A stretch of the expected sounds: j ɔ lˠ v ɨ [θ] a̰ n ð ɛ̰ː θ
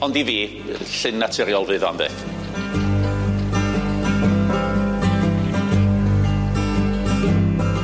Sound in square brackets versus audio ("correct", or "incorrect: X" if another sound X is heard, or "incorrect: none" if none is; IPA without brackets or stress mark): incorrect: ð